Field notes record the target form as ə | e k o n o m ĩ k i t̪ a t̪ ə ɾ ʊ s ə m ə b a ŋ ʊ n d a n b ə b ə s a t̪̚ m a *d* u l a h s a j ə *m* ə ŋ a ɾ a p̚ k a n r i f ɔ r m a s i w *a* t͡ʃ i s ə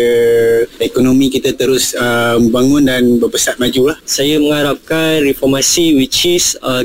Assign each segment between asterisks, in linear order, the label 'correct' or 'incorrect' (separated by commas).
incorrect, correct, incorrect